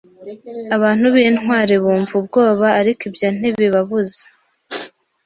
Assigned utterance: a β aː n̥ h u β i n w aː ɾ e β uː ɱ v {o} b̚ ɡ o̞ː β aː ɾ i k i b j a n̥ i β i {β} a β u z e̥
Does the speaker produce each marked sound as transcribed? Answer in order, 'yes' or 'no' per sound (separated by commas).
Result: no, yes